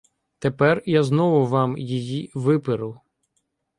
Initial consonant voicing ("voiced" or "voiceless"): voiceless